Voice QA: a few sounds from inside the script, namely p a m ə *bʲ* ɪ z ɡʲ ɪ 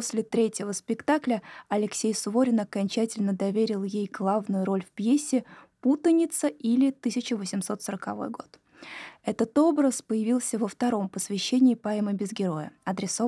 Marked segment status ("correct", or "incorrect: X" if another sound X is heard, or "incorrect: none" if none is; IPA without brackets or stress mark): correct